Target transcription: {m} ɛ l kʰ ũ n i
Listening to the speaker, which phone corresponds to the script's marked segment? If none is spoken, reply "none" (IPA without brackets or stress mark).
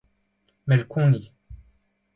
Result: m